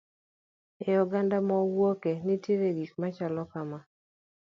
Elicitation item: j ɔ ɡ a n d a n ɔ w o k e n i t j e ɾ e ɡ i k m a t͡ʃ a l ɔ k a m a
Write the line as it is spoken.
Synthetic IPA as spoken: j ɔ ɡ a n d a m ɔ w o k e n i t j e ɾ e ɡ i k m a t͡ʃ a l ɔ k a m a

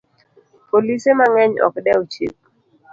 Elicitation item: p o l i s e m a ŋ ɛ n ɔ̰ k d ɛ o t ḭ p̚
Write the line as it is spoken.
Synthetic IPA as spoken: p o l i s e m a ŋ ɛ ɲ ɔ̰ k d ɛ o t͡ʃ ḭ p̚

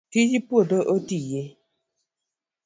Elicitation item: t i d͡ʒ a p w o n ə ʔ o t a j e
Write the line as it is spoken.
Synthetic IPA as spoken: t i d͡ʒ i p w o d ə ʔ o t i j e

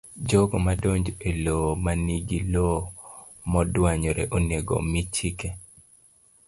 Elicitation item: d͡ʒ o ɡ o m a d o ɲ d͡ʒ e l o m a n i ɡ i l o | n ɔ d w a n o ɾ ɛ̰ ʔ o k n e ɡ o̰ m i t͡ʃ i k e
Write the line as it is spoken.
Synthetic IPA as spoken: d͡ʒ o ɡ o m a d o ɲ d͡ʒ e l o m a n i ɡ i l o | m ɔ d w a ɲ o ɾ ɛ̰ ʔ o n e ɡ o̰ m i t͡ʃ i k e

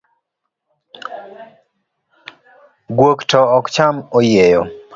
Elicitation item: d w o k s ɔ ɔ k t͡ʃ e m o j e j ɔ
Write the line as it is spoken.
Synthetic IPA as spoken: ɡ w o k t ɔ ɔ k t͡ʃ a m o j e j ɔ

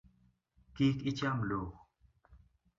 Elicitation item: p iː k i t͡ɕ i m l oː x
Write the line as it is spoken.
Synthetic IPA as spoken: k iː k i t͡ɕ a m l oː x

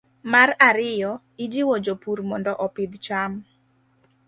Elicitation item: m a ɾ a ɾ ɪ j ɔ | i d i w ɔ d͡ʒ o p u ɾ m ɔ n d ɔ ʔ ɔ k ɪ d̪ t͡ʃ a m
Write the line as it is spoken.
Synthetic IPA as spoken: m a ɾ a ɾ ɪ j ɔ | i d͡ʒ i w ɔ d͡ʒ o p u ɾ m ɔ n d ɔ ʔ ɔ p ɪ d̪ t͡ʃ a m

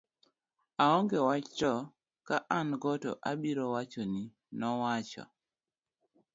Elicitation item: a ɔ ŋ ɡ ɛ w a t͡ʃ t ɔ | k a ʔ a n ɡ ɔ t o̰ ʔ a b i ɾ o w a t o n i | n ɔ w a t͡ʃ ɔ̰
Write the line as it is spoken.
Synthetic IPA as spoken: a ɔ ŋ ɡ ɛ w a t͡ʃ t ɔ | k a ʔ a n ɡ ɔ t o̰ ʔ a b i ɾ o w a t͡ʃ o n i | n ɔ w a t͡ʃ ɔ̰

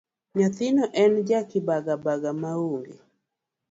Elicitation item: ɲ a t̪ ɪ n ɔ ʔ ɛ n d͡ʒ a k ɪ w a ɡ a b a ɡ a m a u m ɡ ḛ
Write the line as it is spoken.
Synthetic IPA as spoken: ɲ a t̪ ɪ n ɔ ʔ ɛ n d͡ʒ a k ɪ b a ɡ a b a ɡ a m a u ŋ ɡ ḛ

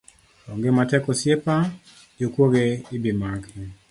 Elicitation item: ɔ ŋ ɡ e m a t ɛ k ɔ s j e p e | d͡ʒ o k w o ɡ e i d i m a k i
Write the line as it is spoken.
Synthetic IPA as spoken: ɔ ŋ ɡ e m a t ɛ k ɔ s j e p a | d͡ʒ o k w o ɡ e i b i m a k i

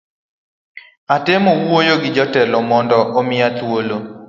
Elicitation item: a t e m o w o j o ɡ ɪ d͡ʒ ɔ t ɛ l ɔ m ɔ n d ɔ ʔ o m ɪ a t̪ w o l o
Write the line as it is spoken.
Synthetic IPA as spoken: a t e m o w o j o ɡ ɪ d͡ʒ ɔ t ɛ l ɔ m ɔ n d ɔ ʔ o m ɪ a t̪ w o l o

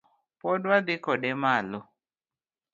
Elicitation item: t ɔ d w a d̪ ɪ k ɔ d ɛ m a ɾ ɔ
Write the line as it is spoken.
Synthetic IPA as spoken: p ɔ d w a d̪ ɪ k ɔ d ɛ m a l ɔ

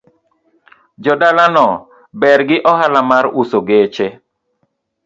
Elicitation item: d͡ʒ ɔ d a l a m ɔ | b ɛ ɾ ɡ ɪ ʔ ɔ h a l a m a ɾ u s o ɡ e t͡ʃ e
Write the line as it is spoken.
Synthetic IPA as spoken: d͡ʒ ɔ d a l a n ɔ | b ɛ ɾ ɡ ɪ ʔ ɔ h a l a m a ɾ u s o ɡ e t͡ʃ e

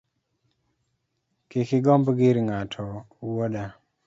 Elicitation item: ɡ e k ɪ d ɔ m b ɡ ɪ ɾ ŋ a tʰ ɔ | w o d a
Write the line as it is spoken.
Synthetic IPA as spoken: k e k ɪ ɡ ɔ m b ɡ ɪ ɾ ŋ a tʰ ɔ | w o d a

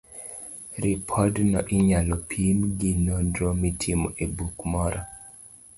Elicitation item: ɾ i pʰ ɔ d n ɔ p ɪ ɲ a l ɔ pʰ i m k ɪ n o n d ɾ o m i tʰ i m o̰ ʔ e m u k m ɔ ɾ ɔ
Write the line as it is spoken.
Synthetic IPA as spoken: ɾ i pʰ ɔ d n ɔ ʔ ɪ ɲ a l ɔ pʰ i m ɡ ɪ n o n d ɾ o m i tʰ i m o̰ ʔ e b u k m ɔ ɾ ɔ

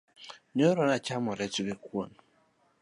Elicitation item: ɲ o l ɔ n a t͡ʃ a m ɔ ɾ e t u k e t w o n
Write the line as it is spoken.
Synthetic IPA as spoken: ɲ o ɾ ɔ n a t͡ʃ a m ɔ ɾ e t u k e k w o n

